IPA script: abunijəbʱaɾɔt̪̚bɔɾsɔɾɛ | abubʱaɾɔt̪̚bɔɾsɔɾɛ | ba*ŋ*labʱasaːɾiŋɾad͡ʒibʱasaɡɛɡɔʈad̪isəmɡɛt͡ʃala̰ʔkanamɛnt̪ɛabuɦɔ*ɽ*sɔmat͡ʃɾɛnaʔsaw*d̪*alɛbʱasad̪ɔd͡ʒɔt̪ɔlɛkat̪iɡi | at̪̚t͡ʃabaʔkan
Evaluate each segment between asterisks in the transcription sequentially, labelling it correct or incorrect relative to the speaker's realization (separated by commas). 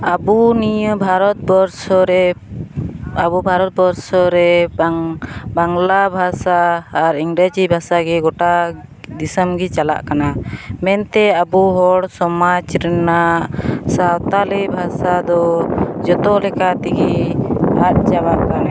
correct, correct, incorrect